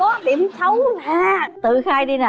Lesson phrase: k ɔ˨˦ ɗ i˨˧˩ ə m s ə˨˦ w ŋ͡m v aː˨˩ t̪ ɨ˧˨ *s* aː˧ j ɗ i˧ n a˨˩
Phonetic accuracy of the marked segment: incorrect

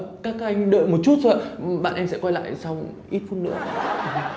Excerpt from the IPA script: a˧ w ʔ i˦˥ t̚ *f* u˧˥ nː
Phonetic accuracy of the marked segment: correct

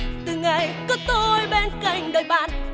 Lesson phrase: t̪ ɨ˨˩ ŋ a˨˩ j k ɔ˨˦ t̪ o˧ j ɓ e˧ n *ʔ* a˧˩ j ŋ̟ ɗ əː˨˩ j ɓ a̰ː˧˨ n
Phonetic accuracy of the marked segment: incorrect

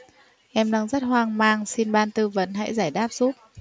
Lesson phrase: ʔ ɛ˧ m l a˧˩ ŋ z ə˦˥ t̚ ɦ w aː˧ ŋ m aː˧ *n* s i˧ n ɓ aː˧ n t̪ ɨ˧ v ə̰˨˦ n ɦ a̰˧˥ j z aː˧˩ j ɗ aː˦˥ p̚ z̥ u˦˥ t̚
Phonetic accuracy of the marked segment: incorrect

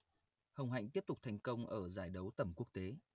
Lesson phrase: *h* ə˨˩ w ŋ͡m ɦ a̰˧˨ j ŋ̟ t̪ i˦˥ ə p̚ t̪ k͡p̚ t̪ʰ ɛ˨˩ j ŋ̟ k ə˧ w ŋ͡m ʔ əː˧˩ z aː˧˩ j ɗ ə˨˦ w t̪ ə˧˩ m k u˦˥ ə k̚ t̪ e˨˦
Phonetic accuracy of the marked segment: correct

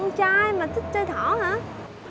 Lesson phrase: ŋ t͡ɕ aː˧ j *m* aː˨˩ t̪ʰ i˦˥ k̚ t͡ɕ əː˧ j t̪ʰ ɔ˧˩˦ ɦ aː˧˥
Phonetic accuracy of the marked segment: correct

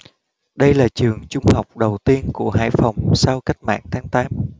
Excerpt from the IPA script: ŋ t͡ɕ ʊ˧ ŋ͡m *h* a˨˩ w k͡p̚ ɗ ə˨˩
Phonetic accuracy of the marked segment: correct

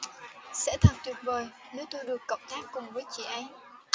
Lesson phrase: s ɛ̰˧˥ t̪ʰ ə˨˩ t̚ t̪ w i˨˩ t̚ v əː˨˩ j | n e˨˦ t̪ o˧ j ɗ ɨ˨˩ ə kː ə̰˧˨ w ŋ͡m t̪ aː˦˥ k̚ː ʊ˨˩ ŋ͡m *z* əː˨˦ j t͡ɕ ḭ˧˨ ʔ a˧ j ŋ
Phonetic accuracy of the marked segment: incorrect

